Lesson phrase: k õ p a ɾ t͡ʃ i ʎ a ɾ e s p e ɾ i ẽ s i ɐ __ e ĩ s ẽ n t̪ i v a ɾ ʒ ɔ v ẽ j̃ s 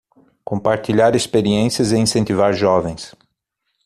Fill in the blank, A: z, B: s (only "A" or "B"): A